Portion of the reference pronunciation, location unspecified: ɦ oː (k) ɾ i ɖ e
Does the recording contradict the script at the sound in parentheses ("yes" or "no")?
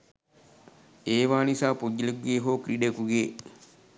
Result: no